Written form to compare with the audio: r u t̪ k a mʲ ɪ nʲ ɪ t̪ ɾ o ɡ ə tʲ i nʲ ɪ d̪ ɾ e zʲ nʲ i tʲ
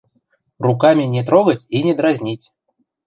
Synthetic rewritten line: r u k a mʲ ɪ nʲ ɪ t̪ ɾ o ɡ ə tʲ i nʲ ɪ d̪ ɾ a zʲ nʲ i tʲ